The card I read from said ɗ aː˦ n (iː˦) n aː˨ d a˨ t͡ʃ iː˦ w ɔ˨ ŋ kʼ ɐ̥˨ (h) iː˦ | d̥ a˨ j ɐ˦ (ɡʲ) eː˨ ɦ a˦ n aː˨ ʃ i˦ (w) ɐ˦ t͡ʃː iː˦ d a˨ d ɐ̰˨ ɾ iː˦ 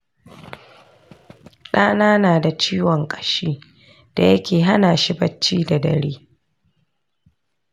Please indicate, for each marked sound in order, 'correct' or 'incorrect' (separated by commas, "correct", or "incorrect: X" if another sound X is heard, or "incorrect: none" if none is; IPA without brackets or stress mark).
incorrect: aː˦, incorrect: ʃ, incorrect: kʲ, incorrect: b